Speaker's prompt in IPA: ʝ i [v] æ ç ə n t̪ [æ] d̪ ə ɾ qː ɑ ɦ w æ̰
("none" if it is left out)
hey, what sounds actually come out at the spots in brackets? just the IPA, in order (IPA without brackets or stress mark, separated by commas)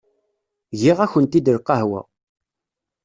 ʁ, i